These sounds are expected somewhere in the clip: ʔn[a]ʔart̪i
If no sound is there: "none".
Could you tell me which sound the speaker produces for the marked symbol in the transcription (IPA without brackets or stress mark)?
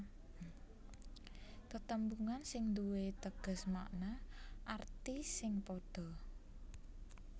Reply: a